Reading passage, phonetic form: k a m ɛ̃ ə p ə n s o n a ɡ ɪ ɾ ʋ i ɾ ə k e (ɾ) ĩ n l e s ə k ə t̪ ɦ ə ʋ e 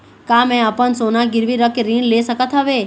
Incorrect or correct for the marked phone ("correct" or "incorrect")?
correct